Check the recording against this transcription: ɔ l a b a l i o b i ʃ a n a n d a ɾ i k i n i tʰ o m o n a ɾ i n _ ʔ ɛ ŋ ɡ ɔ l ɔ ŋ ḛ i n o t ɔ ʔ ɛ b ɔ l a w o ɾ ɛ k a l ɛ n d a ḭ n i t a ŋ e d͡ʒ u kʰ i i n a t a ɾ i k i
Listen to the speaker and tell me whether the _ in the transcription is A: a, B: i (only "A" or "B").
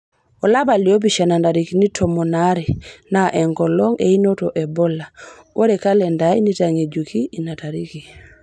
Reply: A